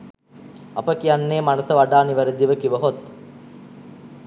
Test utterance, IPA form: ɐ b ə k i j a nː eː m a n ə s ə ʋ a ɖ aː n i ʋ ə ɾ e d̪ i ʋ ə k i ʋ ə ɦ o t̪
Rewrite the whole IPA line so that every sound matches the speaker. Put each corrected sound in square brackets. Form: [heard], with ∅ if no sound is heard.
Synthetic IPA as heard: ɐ [p] ə k i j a nː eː m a n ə s ə ʋ a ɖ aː n i ʋ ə ɾ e d̪ i ʋ ə k i ʋ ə ɦ o t̪